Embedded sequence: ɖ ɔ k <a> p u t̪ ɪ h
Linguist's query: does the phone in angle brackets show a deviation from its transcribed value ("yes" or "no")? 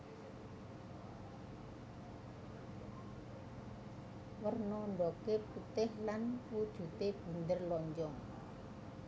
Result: yes